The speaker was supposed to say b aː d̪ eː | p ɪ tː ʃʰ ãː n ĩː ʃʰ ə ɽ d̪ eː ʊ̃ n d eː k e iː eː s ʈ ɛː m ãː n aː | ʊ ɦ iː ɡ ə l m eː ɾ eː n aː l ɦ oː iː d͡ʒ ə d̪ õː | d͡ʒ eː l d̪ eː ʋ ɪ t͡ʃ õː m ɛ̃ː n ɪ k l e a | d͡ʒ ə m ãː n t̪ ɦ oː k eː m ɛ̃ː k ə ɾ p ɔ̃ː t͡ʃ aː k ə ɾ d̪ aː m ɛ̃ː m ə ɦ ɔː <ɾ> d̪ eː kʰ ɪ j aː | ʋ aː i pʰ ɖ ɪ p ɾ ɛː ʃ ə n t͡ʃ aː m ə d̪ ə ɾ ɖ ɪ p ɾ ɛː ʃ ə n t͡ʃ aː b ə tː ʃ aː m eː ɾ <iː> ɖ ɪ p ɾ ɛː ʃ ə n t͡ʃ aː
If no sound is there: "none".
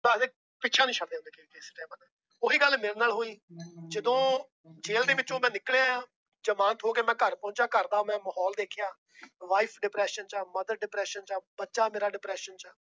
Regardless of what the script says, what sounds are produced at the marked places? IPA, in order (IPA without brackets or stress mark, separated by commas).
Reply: l, aː